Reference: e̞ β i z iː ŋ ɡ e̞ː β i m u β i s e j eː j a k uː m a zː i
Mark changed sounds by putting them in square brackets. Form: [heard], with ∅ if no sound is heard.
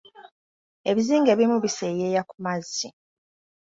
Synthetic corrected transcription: e̞ β i z iː ŋ ɡ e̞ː β i m u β i s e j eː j a k [u] m a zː i